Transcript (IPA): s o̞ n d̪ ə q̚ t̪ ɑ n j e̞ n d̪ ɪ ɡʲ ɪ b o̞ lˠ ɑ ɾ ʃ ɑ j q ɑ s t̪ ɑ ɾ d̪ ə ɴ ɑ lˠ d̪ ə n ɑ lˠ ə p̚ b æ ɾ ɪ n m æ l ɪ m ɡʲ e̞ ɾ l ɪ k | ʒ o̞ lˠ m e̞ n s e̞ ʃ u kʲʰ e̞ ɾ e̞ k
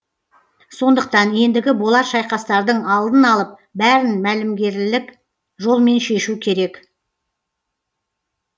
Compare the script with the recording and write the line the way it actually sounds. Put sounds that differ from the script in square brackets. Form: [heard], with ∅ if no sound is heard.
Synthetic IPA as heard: s o̞ n d̪ ə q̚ t̪ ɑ n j e̞ n d̪ ɪ ɡʲ ɪ b o̞ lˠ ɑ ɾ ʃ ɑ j q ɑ s t̪ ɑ ɾ d̪ ə ɴ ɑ lˠ d̪ ə n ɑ lˠ ə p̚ b æ ɾ ɪ n m æ l ɪ m ɡʲ e̞ ɾ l ɪ k | ʒ o̞ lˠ m e̞ n [ʃ] e̞ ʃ u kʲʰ e̞ ɾ e̞ k